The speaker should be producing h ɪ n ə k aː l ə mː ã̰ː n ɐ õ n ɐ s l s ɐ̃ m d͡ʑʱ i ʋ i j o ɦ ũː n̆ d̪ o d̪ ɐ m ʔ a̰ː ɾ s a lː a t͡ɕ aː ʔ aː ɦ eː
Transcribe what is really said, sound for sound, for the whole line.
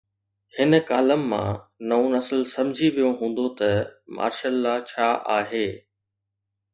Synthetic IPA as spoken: h ɪ n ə k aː l ə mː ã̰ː n ɐ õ n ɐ s l s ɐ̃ m d͡ʑʱ i ʋ i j o ɦ ũː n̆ d̪ o t̪ ɐ m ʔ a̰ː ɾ ʃ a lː a t͡ɕʰ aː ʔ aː ɦ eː